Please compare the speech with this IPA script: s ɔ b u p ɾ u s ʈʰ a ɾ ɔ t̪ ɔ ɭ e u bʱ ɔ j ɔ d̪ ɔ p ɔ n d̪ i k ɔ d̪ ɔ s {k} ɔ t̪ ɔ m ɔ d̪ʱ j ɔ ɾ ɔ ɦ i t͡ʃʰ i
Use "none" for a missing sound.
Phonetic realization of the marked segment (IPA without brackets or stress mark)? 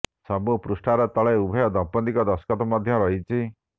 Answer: k